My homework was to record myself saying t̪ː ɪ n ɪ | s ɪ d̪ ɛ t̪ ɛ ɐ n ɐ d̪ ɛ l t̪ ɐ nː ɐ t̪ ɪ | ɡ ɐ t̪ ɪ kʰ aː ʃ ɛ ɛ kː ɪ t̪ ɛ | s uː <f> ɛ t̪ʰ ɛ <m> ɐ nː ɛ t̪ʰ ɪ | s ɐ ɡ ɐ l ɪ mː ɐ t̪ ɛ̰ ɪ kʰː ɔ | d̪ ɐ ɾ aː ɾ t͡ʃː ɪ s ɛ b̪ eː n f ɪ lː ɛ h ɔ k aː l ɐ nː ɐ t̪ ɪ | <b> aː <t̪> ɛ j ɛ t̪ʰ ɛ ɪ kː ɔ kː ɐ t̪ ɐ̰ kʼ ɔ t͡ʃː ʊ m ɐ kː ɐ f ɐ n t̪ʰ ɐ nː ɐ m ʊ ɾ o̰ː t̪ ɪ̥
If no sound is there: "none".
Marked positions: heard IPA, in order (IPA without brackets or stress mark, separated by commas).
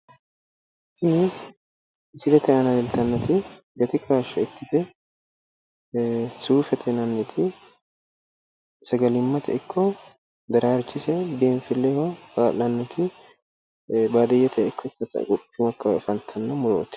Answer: f, n, b, d̪